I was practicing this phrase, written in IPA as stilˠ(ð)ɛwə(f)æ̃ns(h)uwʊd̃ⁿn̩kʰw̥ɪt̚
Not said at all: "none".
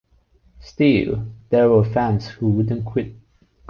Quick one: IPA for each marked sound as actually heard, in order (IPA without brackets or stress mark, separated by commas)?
ð, f, h